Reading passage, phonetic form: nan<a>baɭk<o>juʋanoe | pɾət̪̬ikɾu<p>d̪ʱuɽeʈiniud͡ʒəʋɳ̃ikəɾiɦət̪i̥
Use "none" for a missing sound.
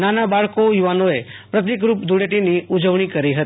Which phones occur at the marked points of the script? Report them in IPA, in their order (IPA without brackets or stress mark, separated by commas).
a, o, p